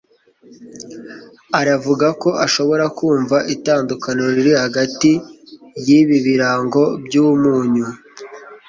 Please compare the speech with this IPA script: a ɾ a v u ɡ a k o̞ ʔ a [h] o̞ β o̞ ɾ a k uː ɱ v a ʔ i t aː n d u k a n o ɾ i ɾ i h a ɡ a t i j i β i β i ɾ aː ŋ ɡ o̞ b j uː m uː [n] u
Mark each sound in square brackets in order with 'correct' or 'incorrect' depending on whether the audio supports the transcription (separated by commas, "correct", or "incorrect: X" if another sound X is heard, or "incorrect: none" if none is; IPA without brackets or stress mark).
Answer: incorrect: ʃ, incorrect: ɲ